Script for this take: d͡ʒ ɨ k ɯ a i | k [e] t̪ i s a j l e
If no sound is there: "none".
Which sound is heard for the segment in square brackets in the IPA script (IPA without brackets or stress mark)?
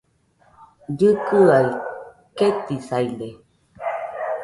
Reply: e